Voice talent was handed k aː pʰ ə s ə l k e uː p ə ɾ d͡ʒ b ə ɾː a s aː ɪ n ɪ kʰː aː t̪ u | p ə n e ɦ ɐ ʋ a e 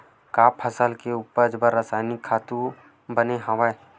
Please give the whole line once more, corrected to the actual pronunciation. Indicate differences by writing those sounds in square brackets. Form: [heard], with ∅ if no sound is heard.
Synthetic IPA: k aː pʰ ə s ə l k e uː p ə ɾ d͡ʒ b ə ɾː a s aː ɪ n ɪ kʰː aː t̪ u | [b] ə n e ɦ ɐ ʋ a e